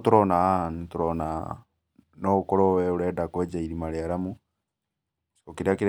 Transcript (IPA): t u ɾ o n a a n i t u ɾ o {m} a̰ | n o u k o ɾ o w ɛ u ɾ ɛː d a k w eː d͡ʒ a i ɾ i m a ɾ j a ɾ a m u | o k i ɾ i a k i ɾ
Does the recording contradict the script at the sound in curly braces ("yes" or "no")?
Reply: yes